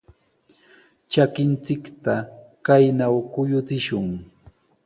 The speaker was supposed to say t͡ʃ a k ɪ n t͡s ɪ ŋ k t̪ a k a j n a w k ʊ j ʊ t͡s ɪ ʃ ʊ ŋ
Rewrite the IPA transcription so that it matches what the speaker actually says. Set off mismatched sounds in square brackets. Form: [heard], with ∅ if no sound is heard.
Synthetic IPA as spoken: t͡ʃ a k ɪ n t͡s ɪ [∅] k t̪ a k a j n a w k ʊ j ʊ t͡s ɪ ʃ ʊ ŋ